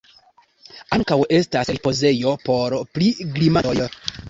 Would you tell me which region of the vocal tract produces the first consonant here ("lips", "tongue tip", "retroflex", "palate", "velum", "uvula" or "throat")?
velum